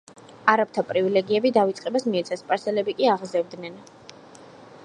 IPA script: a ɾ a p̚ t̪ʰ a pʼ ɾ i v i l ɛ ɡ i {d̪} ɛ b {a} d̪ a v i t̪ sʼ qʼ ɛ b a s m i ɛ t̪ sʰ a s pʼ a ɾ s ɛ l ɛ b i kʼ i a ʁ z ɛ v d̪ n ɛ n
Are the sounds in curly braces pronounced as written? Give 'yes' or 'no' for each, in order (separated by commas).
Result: no, no